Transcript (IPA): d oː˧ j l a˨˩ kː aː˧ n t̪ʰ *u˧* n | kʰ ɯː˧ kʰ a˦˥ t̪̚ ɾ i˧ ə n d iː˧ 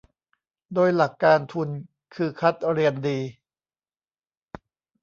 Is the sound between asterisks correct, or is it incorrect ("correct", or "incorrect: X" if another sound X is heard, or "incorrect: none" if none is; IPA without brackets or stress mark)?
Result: correct